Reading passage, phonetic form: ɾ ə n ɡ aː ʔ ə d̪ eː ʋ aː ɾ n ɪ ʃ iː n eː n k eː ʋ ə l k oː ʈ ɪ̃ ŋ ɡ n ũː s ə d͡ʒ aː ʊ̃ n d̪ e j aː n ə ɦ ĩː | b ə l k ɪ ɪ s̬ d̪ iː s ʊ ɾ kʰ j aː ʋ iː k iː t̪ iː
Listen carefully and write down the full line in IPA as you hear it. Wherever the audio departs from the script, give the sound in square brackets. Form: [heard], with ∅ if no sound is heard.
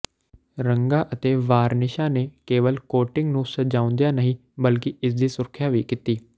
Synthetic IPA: ɾ ə [ŋ] ɡ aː ʔ ə [t̪] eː ʋ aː ɾ n ɪ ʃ [aː] n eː [∅] k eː ʋ ə l k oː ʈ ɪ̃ ŋ ɡ n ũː s ə d͡ʒ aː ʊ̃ n d̪ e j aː n ə ɦ ĩː | b ə l k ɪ ɪ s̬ d̪ iː s ʊ ɾ kʰ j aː ʋ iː k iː t̪ iː